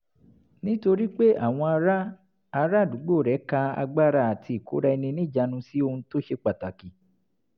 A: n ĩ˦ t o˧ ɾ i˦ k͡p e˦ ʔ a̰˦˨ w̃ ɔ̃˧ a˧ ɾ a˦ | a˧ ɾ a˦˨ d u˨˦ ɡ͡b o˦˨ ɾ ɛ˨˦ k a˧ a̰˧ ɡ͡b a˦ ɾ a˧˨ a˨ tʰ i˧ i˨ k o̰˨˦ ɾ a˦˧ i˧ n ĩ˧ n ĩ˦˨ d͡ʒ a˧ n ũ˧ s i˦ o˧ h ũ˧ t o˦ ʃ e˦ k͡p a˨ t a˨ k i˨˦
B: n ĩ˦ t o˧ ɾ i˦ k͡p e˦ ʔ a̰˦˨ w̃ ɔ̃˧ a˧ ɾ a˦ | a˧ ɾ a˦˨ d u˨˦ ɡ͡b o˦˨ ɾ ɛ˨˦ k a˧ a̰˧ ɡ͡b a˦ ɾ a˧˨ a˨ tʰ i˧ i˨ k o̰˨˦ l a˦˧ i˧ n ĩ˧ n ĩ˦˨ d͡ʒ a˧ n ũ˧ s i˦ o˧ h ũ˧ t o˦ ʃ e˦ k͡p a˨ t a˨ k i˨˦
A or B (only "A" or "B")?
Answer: A